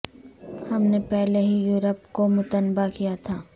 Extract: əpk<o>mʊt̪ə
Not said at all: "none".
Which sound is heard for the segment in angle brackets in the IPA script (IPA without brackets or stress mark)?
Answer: o